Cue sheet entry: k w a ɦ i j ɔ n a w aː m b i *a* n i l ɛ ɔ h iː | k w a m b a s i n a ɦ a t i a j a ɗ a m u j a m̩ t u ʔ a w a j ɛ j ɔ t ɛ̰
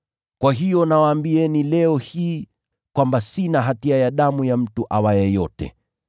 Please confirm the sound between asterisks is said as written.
no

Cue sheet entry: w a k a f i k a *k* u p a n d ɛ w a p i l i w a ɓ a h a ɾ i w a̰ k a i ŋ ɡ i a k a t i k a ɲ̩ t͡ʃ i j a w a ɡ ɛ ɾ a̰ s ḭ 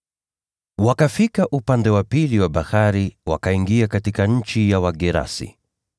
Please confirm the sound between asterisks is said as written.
no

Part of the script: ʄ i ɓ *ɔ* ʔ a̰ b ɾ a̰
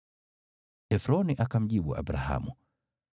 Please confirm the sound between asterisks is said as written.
no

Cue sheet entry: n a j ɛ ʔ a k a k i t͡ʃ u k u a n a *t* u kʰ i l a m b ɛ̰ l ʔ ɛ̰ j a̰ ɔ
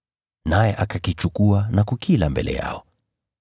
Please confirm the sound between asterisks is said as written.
no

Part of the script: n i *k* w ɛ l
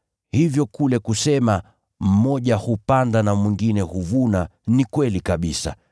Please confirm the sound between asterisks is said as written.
yes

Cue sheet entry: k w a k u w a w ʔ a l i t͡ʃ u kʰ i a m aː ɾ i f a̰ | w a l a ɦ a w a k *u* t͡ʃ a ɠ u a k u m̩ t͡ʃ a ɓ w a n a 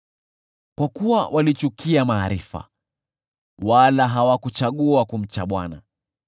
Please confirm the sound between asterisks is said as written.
yes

